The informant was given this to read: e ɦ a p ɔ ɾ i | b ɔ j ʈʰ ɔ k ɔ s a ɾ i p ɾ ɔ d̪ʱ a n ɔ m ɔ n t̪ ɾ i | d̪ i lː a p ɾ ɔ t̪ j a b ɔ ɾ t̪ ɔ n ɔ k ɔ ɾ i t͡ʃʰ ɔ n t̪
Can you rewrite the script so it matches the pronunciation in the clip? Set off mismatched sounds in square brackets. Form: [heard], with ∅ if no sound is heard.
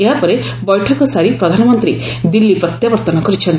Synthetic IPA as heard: e ɦ a p ɔ ɾ [e] | b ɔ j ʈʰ ɔ k ɔ s a ɾ i p ɾ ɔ d̪ʱ a n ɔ m ɔ n t̪ ɾ i | d̪ i lː [i] p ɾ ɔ t̪ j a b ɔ ɾ t̪ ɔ n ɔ k ɔ ɾ i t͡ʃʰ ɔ n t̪